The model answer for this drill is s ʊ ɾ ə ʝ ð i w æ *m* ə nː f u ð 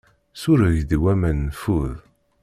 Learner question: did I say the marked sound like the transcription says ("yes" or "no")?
yes